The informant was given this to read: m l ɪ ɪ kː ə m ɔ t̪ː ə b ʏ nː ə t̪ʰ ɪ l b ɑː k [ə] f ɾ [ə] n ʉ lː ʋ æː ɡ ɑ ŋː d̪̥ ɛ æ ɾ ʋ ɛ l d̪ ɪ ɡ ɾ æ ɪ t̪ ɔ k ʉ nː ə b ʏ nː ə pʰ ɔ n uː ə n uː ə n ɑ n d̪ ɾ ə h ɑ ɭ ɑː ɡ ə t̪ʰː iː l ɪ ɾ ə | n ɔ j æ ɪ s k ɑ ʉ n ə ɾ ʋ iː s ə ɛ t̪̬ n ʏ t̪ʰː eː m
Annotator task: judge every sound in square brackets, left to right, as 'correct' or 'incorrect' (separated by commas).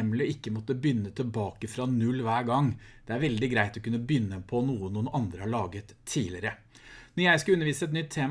correct, incorrect